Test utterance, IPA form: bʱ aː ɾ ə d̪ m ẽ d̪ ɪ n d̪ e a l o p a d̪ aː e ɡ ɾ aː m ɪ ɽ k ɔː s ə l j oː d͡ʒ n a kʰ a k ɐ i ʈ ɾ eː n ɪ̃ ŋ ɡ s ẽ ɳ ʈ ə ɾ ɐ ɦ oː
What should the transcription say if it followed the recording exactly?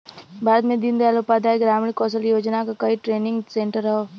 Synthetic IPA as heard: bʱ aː ɾ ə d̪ m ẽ d̪ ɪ n d̪ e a l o p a d̪ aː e ɡ ɾ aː m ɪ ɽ k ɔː s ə l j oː d͡ʒ n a k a k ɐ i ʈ ɾ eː n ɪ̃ ŋ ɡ s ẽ ɳ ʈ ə ɾ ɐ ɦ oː